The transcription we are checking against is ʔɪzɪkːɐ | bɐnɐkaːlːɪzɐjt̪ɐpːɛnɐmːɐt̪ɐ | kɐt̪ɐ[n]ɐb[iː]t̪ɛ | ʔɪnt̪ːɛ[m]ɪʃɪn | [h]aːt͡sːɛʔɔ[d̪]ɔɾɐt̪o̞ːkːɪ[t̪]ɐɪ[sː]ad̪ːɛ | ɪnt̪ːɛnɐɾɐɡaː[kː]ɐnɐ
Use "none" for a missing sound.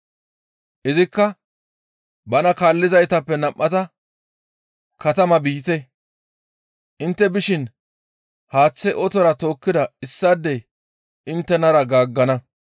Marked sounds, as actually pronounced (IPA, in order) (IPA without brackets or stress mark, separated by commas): m, iː, b, h, t̪, d̪, sː, ɡː